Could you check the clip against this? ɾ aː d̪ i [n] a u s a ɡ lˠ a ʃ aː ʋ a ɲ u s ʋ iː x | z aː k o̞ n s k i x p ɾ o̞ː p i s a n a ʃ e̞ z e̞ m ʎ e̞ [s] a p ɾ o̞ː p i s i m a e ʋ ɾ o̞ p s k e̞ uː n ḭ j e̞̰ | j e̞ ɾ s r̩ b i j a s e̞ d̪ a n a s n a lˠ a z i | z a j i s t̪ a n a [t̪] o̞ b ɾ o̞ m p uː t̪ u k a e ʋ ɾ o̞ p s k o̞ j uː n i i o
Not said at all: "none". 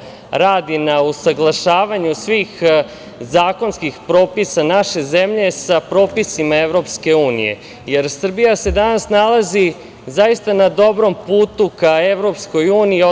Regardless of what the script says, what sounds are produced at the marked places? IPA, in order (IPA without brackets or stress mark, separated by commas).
n, s, d̪